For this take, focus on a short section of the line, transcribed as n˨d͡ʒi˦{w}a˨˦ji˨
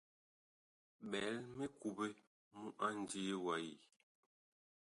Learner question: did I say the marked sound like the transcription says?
yes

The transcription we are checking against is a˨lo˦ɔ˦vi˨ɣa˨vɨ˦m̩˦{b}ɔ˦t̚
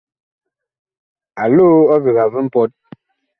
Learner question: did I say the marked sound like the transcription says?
no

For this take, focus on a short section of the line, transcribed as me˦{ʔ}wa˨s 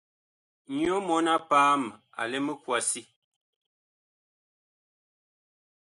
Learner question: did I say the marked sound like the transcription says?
no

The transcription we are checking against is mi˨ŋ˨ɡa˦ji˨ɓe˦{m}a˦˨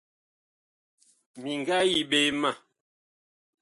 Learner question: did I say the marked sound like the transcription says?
yes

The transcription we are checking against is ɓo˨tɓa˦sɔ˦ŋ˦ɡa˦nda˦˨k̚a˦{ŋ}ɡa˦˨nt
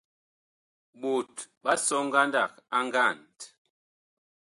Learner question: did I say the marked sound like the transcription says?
yes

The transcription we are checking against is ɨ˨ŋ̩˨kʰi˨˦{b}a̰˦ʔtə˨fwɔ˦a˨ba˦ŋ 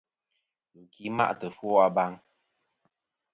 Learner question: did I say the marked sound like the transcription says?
no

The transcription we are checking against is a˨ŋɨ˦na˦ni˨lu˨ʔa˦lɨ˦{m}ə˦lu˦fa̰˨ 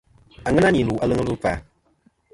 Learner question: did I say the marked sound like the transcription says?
no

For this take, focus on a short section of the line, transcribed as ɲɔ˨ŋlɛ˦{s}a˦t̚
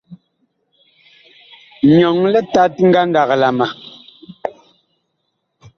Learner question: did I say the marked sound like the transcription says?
no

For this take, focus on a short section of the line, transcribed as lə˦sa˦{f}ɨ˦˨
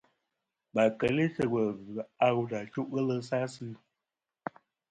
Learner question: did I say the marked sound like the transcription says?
no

